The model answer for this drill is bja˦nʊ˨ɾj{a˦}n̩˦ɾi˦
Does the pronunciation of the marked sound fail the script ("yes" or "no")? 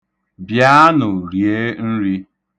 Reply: yes